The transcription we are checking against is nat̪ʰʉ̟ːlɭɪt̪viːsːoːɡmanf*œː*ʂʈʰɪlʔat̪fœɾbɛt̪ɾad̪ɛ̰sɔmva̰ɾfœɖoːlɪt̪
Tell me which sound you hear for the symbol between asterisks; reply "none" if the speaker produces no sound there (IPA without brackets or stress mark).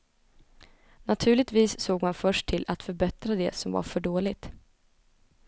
œ